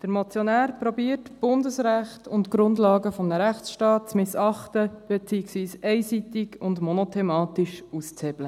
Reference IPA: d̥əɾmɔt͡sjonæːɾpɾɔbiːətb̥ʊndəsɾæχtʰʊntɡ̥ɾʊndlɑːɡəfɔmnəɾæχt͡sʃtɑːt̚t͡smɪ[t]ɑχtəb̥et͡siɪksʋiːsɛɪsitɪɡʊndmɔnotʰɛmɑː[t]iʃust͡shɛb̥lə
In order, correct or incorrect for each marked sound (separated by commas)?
incorrect, correct